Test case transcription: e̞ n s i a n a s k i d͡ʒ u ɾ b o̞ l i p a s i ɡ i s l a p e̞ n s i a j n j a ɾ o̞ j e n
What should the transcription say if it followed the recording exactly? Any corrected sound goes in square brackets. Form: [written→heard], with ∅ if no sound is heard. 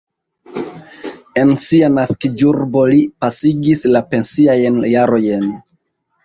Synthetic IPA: e̞ n s i a n a s k i d͡ʒ u ɾ b o̞ l i p a s i ɡ i s l a p e̞ n s i a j n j a ɾ o̞ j e n